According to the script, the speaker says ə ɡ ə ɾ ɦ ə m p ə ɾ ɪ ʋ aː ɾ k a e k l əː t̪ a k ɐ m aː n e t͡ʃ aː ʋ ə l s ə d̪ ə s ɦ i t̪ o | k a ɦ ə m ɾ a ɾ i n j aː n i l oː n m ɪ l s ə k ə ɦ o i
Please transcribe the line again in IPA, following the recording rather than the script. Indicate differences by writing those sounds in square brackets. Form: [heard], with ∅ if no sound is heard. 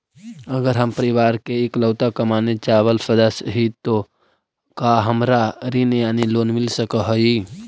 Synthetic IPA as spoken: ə ɡ ə ɾ ɦ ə m p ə ɾ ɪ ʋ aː ɾ k [e] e k l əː t̪ a k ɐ m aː n e t͡ʃ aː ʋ ə l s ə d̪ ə s ɦ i t̪ o | k a ɦ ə m ɾ a ɾ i n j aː n i l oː n m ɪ l s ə k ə ɦ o i